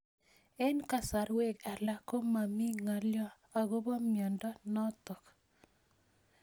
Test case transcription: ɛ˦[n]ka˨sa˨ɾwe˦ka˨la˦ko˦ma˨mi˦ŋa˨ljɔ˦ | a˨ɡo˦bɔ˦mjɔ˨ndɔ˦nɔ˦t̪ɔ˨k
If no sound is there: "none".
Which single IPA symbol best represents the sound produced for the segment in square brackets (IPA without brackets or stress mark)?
n